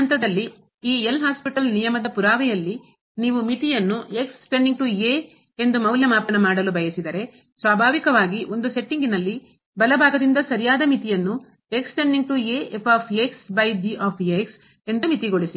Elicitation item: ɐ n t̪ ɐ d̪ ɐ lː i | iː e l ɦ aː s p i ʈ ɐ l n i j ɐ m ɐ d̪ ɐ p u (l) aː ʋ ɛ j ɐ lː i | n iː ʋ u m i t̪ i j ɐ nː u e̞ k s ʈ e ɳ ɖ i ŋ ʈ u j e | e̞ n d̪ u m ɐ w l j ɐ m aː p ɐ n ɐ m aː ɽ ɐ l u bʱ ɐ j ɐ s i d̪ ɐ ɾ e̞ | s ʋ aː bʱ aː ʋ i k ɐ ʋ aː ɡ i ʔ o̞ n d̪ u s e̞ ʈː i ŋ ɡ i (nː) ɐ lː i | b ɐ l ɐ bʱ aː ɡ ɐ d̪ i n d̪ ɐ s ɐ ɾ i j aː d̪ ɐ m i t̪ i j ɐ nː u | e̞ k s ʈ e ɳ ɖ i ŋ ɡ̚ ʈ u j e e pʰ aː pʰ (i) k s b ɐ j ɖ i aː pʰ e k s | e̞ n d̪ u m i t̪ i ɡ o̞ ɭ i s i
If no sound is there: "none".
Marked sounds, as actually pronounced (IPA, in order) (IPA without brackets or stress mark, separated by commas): ɾ, n, e